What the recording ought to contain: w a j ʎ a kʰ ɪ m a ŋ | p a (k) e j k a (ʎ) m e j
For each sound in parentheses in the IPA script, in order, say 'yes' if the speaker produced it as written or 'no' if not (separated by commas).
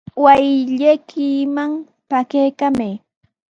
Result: yes, no